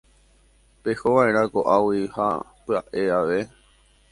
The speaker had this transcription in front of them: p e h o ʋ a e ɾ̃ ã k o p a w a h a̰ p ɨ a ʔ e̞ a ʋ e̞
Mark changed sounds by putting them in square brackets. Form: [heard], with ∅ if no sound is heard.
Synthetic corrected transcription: p e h o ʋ a e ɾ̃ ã k o [ʔ] a w [i] h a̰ p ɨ a ʔ e̞ a ʋ e̞

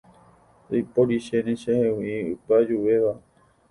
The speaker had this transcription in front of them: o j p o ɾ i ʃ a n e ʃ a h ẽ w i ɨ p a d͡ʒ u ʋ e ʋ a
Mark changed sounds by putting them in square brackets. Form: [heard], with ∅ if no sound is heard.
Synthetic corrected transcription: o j p o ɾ i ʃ [e] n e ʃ [e] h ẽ w i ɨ p a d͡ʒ u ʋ e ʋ a

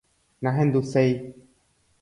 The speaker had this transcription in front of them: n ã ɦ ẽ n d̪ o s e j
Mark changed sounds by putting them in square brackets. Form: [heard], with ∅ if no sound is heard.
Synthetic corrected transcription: n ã ɦ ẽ n d̪ [u] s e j

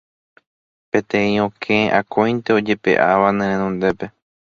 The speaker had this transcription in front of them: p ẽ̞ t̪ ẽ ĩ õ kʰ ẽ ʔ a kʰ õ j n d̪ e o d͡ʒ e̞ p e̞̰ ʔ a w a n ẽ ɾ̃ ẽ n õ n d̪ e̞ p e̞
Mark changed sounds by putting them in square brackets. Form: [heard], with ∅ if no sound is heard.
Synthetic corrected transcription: p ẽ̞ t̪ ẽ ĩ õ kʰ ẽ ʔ a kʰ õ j n [t̪] e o d͡ʒ e̞ p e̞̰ ʔ a [ʋ] a n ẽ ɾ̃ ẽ n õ n d̪ e̞ p e̞

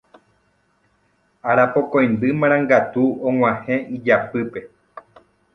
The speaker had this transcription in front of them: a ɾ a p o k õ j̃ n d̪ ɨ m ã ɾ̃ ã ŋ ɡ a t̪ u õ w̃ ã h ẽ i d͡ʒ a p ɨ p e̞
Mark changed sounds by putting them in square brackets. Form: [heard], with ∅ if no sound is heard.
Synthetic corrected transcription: a ɾ a p o k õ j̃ n d̪ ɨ m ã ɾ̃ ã ŋ ɡ a t̪ u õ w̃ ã h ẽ i d͡ʒ a p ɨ p e̞

